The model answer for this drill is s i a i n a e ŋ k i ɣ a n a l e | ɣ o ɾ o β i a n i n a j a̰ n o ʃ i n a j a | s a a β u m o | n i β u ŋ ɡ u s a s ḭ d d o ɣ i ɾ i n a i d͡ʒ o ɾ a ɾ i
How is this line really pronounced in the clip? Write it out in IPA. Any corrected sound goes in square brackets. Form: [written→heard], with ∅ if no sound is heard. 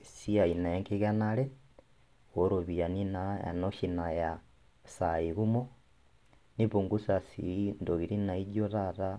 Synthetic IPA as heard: s i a i n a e ŋ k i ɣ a n a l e | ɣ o ɾ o β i a n i n a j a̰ n o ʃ i n a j a | s a [a→i] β u m o | n i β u ŋ ɡ u s a s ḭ [d→n] d o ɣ i ɾ i n a i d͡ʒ o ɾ a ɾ [i→a]

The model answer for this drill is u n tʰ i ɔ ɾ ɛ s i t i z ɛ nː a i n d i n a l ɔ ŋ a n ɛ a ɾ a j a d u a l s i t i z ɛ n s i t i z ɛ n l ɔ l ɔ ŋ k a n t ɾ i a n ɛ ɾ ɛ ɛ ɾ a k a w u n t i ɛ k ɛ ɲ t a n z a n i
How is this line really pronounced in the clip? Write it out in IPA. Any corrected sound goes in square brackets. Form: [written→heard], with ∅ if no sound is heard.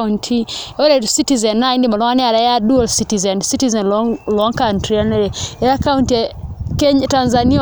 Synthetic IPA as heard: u n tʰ i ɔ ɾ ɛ s i t i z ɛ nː a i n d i [n→m] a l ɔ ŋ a n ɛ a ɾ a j a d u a l s i t i z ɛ n s i t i z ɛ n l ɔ l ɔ ŋ k a n t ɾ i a n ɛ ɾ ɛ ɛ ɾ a k a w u n t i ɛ k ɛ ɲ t a n z a n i

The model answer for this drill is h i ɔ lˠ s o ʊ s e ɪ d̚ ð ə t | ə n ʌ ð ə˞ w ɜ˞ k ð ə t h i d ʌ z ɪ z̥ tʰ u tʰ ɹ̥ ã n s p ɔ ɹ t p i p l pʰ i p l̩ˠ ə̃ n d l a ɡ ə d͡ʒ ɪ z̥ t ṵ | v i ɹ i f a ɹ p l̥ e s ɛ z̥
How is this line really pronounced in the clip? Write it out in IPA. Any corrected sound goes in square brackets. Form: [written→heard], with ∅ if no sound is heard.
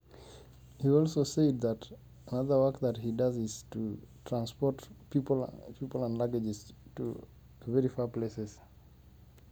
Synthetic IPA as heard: h i ɔ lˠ s o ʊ s e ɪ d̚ ð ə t | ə n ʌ ð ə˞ w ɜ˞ k ð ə t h i d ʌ z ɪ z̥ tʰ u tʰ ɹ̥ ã n s p ɔ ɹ t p i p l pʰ i p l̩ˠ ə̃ n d l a ɡ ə d͡ʒ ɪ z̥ t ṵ | v [i→ɛ] ɹ i f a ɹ p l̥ e s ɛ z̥

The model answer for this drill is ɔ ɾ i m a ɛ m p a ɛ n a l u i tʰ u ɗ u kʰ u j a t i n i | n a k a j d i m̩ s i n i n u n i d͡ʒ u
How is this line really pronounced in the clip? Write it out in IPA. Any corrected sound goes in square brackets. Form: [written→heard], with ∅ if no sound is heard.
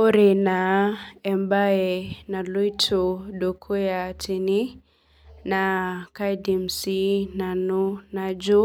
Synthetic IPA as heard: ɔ ɾ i [m→n] a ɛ m [p→b] a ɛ n a l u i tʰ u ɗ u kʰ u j a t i n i | n a k a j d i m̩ s i n [i→a] n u n [i→a] d͡ʒ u

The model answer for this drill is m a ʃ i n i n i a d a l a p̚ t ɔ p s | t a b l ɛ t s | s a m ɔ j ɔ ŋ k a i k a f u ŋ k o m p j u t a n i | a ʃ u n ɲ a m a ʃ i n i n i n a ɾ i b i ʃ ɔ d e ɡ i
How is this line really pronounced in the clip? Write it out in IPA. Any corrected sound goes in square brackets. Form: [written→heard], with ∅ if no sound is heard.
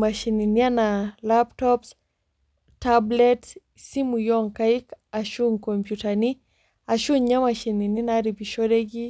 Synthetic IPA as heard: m a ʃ i n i n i a [d→n] a l a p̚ t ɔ p s | t a b l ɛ t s | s [a→i] m [ɔ→u] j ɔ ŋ k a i k a [f→ʃ] u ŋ k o m p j u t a n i | a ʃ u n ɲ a m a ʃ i n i n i n a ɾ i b i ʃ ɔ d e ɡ i

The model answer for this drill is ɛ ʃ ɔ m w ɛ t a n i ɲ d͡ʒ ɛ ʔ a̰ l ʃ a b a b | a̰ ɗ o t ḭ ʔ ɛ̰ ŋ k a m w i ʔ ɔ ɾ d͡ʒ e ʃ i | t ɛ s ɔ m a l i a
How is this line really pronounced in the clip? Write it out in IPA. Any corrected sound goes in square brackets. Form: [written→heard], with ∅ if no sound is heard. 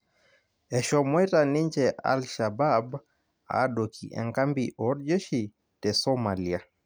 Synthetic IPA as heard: ɛ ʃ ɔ m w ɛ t a n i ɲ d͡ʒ ɛ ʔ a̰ l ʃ a b a b | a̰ ɗ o [t→k] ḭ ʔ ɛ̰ ŋ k a m [w→b] i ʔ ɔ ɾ d͡ʒ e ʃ i | t ɛ s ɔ m a l i a

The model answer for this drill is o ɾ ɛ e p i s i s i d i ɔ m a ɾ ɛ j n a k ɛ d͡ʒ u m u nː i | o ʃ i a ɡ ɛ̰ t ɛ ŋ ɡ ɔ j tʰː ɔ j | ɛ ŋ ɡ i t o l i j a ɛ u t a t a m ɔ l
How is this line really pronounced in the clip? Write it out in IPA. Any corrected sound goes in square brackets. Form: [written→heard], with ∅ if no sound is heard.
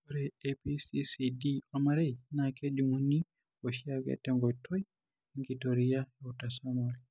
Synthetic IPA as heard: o ɾ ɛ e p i s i s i d i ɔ m a ɾ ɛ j n a k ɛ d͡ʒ u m u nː i | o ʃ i a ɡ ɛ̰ t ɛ ŋ ɡ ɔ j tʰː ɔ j | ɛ ŋ ɡ i t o [l→ɾ] i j a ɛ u t a [t→s] a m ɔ l

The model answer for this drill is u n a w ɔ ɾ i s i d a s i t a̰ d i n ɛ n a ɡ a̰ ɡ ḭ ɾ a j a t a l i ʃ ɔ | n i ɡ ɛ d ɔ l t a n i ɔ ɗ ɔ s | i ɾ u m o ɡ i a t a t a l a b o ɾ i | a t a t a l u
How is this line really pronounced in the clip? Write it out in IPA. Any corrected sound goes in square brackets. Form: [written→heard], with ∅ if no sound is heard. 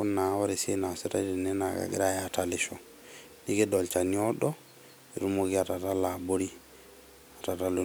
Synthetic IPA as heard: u n a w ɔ ɾ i s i [d→n] a s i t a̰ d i n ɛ n a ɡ a̰ ɡ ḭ ɾ a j a t a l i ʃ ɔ | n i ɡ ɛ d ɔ l [t→t͡ʃ] a n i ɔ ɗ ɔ [s→∅] | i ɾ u m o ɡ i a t a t a l a b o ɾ i | a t a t a l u

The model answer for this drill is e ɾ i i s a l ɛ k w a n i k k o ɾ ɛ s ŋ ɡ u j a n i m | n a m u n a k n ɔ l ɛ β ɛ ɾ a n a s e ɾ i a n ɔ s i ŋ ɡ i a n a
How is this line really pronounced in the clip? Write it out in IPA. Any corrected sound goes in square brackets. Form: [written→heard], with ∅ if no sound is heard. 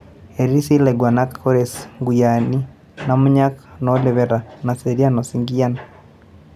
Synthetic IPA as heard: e ɾ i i s [a→i] l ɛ [k→ɡ] w a n [i→a] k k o ɾ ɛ s ŋ ɡ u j a n i [m→∅] | n a m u [n→ɲ] a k n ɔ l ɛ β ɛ ɾ a n a s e ɾ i a n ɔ s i ŋ ɡ i a n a

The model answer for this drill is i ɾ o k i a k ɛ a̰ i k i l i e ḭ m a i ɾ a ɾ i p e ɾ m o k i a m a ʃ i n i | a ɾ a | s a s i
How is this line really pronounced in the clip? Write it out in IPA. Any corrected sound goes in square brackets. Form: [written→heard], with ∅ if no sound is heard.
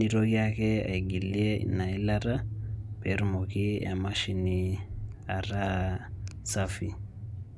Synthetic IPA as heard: i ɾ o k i a k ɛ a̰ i [k→ɡ] i l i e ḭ [m→n] a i [ɾ→l] a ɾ [i→a] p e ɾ m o k i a m a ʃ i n i | a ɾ a | s a [s→f] i

